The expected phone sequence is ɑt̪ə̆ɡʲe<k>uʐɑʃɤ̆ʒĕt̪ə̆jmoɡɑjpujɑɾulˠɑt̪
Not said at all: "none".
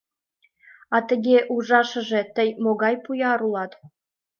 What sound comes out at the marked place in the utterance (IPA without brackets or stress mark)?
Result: ʔ